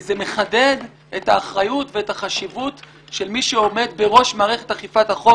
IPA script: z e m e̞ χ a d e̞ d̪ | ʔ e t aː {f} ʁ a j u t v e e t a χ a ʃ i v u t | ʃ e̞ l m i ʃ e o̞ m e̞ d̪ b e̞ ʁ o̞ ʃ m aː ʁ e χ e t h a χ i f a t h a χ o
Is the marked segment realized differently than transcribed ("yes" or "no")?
yes